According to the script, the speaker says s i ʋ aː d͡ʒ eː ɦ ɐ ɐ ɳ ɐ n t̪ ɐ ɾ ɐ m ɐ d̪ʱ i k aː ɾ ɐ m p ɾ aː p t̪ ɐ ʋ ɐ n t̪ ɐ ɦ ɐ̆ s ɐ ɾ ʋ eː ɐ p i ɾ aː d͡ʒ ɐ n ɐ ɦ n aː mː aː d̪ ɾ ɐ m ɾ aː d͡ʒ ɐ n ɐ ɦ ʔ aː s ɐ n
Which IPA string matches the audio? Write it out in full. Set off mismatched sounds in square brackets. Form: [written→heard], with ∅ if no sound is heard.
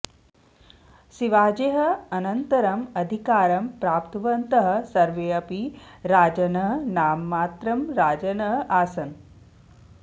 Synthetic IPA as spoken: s i ʋ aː d͡ʒ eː ɦ ɐ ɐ [ɳ→n] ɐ n t̪ ɐ ɾ ɐ m ɐ d̪ʱ i k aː ɾ ɐ m p ɾ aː p t̪ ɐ ʋ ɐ n t̪ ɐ ɦ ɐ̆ s ɐ ɾ ʋ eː ɐ p i ɾ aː d͡ʒ ɐ n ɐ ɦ n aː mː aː [d̪→t̪] ɾ ɐ m ɾ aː d͡ʒ ɐ n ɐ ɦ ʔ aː s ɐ n